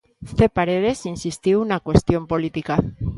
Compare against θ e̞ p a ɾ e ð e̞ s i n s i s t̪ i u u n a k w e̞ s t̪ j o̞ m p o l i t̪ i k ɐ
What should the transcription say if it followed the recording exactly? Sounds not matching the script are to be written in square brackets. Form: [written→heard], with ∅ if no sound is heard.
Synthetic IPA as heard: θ e̞ p a ɾ e ð e̞ s i n s i s t̪ i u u n a k w e̞ s t̪ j o̞ m p o l i t̪ i k [ɐ→a]